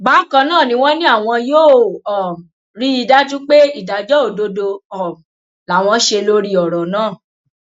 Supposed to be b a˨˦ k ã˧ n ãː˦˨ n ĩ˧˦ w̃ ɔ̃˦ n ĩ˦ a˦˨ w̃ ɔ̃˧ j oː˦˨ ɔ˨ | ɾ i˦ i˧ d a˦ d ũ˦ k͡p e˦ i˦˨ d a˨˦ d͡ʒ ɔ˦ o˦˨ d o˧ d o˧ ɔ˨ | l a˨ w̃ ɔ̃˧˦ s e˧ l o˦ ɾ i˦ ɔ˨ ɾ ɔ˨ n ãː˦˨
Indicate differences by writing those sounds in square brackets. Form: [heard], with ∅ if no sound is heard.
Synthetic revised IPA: b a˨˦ k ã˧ n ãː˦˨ n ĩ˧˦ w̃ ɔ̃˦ n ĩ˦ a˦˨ w̃ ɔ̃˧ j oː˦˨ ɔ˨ | ɾ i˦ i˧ d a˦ [t] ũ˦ k͡p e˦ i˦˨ d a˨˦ d͡ʒ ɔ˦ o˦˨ d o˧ d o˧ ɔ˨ | l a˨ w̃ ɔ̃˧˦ [ʃ] e˧ l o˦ ɾ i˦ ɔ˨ ɾ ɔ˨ n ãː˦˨